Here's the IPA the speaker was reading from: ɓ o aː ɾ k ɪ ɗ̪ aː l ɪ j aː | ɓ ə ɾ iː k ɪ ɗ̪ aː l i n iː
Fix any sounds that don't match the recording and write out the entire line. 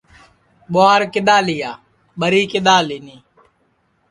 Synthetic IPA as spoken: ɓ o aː ɾ k ɪ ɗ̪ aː l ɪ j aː | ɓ ə ɾ iː k ɪ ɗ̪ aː l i n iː

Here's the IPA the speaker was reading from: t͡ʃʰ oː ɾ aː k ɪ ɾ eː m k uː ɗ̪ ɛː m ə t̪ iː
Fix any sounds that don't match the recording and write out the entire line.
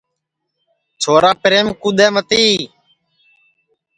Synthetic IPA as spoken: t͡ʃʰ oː ɾ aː p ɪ ɾ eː m k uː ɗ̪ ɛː m ə t̪ iː

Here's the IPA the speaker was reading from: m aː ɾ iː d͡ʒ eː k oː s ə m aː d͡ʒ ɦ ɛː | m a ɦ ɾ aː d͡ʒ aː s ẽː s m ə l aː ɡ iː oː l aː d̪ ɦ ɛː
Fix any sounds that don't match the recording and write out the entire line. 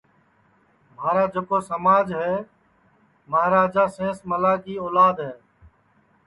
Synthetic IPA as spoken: m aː ɾ aː d͡ʒ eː k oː s ə m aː d͡ʒ ɦ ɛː | m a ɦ ɾ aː d͡ʒ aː s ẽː s m ə l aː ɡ iː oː l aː d̪ ɦ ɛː

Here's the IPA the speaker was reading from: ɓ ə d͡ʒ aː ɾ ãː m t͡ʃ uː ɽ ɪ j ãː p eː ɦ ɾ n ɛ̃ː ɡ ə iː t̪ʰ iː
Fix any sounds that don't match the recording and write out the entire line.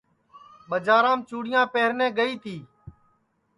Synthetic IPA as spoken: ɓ ə d͡ʒ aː ɾ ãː m t͡ʃ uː ɽ ɪ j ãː p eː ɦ ɾ n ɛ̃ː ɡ ə iː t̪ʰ iː

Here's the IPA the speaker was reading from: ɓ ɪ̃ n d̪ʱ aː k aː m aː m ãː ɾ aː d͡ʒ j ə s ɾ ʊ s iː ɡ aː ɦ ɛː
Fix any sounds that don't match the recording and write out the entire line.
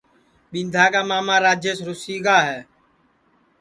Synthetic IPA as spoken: ɓ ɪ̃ n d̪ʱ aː k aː m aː m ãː ɾ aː d͡ʒ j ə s ɾ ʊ s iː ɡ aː ɦ ɛː

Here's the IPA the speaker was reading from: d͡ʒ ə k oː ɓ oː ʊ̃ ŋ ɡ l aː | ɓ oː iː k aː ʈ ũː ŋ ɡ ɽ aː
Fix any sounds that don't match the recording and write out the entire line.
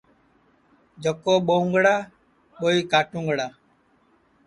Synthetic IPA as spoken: d͡ʒ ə k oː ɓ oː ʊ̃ ŋ ɡ ɽ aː | ɓ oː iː k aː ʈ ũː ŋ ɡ ɽ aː

